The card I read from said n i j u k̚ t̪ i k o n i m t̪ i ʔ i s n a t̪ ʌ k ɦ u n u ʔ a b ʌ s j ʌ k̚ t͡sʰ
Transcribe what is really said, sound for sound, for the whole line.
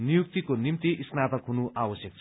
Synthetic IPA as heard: n i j u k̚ t̪ i k o n i m t̪ i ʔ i s n a t̪ ʌ k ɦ u n u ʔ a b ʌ s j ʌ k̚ t͡sʰ